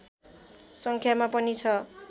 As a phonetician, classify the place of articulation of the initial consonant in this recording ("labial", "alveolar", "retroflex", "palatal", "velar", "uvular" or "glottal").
alveolar